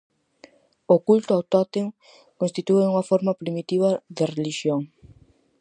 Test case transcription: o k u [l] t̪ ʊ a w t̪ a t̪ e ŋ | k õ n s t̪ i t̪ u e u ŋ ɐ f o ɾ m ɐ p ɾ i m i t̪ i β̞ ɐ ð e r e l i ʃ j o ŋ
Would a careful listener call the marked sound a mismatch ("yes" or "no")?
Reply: no